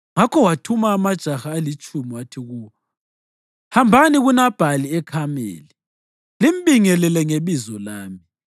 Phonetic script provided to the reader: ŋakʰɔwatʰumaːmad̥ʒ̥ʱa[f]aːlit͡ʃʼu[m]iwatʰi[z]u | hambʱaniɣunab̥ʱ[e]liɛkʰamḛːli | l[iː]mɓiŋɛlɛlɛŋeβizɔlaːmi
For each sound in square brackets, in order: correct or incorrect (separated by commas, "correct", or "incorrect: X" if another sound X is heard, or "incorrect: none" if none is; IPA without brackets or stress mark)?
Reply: incorrect: x, correct, incorrect: ɣ, incorrect: a, incorrect: i